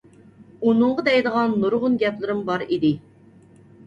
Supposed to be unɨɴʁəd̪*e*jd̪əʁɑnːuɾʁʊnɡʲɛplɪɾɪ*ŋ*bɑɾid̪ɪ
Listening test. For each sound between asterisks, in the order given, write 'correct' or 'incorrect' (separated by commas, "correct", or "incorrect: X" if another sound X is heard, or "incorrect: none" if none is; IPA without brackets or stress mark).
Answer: incorrect: ɛ, incorrect: m